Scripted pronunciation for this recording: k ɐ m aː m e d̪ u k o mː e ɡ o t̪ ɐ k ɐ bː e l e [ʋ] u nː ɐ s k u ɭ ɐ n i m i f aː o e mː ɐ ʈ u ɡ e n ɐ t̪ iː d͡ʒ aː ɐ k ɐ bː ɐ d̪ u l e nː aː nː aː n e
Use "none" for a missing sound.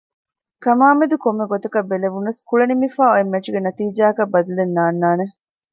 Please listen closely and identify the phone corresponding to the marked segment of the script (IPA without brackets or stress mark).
ʋ